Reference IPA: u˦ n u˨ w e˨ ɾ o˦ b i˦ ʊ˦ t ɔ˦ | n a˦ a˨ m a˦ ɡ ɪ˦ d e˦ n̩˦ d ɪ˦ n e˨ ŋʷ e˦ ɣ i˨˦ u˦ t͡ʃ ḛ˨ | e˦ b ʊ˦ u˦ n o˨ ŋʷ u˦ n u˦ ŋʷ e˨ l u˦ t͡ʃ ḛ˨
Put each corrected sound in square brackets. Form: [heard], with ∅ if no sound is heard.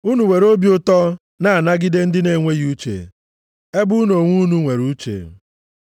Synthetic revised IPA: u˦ n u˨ w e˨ ɾ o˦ b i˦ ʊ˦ t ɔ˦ | n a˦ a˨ [n] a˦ ɡ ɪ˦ d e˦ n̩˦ d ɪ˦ n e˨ ŋʷ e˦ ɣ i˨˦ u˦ t͡ʃ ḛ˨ | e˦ b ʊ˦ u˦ n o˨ ŋʷ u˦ n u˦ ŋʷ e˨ [ɾ] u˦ t͡ʃ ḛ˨